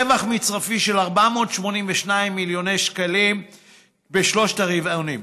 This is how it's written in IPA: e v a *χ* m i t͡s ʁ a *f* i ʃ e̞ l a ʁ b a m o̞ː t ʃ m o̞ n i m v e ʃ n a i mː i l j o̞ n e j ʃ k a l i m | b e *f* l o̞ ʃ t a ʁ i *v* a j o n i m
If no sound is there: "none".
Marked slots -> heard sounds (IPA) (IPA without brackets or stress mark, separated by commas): χ, f, ʃ, v